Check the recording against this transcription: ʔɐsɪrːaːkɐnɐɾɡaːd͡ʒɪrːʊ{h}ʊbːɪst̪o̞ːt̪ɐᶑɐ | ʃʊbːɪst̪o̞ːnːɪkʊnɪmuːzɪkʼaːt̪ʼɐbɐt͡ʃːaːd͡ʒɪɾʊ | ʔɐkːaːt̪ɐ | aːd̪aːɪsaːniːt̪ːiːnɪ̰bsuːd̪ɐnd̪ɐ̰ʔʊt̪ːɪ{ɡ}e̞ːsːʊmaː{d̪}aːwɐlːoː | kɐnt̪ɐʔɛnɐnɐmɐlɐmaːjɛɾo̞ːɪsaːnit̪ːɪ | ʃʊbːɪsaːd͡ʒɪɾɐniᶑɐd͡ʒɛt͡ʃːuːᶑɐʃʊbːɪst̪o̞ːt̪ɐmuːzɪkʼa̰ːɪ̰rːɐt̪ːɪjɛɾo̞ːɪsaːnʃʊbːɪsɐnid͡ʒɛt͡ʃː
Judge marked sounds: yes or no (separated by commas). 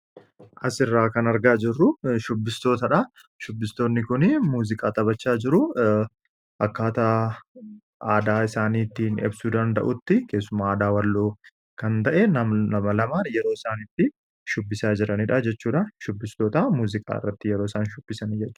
no, no, yes